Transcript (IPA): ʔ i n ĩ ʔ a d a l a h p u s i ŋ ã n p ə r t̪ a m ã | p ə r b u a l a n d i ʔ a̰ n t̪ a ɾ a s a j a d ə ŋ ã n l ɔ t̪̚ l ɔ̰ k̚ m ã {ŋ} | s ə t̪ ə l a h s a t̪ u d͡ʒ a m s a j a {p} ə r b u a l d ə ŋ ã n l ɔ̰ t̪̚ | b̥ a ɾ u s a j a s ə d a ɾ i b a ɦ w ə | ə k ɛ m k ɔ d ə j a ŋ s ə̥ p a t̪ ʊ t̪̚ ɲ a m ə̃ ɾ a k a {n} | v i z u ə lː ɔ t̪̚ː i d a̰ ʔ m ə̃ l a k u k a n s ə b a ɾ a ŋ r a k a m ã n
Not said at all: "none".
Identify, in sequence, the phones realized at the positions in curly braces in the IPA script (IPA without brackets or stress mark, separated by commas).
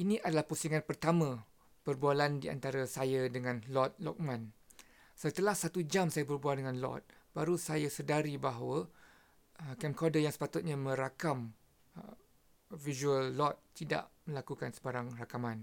n, b, m